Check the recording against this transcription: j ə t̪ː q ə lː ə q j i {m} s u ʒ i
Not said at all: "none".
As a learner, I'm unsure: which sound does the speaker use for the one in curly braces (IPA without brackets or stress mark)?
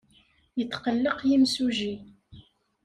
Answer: m